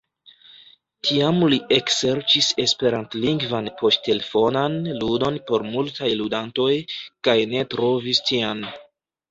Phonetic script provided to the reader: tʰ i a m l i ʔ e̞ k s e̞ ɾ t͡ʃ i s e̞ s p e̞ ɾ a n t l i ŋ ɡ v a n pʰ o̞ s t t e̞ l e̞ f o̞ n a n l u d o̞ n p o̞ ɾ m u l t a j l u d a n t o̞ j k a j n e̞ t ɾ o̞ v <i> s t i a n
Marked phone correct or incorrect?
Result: correct